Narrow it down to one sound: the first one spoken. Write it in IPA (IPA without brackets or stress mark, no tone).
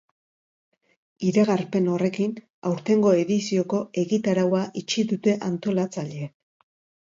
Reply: i